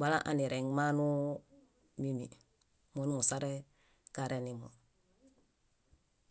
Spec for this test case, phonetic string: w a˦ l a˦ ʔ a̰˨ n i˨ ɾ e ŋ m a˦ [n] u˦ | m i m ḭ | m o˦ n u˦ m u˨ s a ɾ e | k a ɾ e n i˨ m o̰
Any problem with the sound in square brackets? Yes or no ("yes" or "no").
no